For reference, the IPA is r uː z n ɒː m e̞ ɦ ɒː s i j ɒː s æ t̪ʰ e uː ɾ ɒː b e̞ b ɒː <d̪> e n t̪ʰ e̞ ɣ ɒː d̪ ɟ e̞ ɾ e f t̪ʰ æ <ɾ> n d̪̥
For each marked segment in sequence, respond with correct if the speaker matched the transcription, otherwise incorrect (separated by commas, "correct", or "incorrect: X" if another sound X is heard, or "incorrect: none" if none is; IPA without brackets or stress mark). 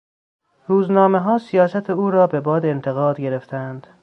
correct, incorrect: none